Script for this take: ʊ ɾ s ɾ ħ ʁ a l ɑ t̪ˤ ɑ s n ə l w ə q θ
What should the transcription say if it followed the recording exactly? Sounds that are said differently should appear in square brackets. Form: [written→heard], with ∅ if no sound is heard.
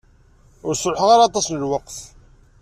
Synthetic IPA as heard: ʊ ɾ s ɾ ħ ʁ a [l→ɾ] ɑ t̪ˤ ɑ s n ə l w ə q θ